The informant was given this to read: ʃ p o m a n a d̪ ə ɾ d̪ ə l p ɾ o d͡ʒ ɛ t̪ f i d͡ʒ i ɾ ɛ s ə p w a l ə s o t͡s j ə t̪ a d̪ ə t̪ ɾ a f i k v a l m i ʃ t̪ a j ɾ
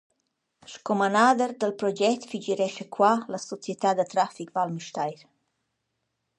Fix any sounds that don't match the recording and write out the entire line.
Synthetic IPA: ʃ k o m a n a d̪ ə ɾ d̪ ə l p ɾ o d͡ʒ ɛ t̪ f i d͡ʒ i ɾ ɛ ʃ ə k w a l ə s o t͡s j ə t̪ a d̪ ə t̪ ɾ a f i k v a l m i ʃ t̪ a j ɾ